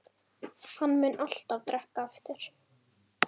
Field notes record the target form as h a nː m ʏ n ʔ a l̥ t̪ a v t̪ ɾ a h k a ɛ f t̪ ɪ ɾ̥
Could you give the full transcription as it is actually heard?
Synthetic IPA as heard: h a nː m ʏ n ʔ a l̥ t̪ a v t̪ ɾ ɛ h k a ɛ f t̪ ɪ ɾ̥

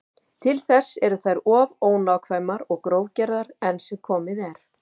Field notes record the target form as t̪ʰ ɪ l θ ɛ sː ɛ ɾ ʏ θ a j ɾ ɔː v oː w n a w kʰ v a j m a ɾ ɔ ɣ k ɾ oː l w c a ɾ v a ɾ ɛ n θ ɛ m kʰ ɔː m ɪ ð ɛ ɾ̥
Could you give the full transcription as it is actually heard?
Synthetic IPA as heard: t̪ʰ ɪ l θ ɛ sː ɛ ɾ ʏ θ a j ɾ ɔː v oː w n a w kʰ v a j m a ɾ ɔ ɣ k ɾ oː w c ɛ ɾ ð a ɾ ɛ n s ɛ m kʰ ɔː m ɪ ð ɛ ɾ̥

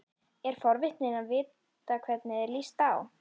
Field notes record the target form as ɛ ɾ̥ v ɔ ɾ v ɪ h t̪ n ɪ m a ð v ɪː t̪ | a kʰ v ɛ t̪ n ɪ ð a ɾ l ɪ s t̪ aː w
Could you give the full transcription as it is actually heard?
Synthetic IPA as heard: ɛ ɾ̥ f ɔ ɾ v ɪ h t̪ n ɪ n a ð v ɪː t̪ | a kʰ v ɛ t̪ n ɪ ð ɛ ɾ l i s t̪ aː w

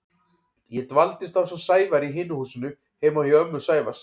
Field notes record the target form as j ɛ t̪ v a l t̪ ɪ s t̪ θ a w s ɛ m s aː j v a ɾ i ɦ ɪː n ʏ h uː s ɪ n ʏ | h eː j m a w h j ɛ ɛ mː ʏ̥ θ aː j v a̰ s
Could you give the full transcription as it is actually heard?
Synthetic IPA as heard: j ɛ t̪ v a l t̪ ɪ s t̪ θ a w s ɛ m s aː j v a ɾ i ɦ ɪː n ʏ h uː s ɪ n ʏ | h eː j m a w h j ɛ œ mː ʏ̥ s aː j v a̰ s

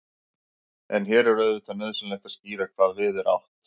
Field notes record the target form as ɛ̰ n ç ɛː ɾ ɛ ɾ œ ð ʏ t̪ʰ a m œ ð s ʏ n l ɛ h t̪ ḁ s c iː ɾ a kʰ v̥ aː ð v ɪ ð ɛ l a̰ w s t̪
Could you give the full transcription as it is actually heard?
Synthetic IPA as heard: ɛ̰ n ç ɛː ɾ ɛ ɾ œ ð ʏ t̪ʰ a n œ ð s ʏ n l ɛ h t̪ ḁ s c iː ɾ a kʰ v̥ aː ð v ɪ ð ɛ ɾ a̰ w h t̪

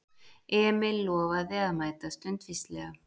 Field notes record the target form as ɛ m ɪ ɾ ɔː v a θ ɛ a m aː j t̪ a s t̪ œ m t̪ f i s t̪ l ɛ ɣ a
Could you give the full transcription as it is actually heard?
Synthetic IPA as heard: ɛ m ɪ l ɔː v a ð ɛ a m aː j t̪ a s t̪ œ n t̪ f i s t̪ l ɛ ɣ a

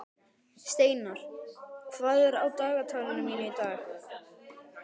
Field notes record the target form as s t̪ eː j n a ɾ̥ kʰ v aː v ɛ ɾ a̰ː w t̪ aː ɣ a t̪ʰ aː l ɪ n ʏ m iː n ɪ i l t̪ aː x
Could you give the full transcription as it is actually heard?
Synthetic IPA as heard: s t̪ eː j n a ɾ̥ kʰ v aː ð ɛ ɾ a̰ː w t̪ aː ɣ a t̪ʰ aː l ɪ n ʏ m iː n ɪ i t̪ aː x

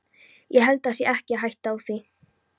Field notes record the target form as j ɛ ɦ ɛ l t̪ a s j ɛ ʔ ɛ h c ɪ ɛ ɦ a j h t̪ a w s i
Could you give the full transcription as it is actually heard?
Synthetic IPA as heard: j ɛ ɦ ɛ l t̪ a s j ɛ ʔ ɛ h c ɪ a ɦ a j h t̪ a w θ i

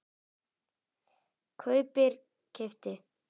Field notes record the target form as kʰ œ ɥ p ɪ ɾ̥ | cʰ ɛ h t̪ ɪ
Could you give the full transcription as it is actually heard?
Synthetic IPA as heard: kʰ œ ɥ p ɪ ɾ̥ | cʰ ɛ f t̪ ɪ

